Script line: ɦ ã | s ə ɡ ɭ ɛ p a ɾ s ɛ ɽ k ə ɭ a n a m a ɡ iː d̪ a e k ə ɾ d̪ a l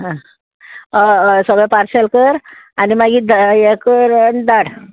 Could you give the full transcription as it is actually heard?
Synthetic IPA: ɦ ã | s ə ɡ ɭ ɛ p a ɾ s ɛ l k ə ɾ a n i m a ɡ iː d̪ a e k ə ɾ d̪ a ɽ